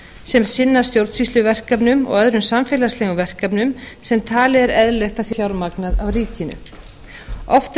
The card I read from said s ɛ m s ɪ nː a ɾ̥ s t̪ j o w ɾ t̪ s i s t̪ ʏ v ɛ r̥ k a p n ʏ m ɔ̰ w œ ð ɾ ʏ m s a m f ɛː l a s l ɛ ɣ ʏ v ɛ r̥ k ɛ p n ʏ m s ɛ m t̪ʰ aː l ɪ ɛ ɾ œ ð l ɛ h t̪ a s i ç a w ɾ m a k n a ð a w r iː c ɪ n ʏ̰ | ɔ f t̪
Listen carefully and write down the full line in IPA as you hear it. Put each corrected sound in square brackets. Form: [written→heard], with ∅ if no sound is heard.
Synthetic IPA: s ɛ m s ɪ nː a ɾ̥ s t̪ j o w ɾ t̪ s i s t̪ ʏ v ɛ r̥ k a p n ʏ m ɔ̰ [w→ɣ] œ ð ɾ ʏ m s a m f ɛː l a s l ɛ ɣ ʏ v ɛ r̥ k [ɛ→a] p n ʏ m s ɛ m t̪ʰ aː l ɪ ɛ ɾ [œ→ɛ] ð l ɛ [h→x] t̪ a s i ç a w ɾ m a k n a ð a w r iː c ɪ n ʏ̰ | ɔ f t̪